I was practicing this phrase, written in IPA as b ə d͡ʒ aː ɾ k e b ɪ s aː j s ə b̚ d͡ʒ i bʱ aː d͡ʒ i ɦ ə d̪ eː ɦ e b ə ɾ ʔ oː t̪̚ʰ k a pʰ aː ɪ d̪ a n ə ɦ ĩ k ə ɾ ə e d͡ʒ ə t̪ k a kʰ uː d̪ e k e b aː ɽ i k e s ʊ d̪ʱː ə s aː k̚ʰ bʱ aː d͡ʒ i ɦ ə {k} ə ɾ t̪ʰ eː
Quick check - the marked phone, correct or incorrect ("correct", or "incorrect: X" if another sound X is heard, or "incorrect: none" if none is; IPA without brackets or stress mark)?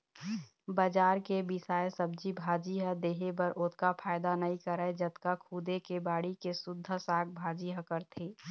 correct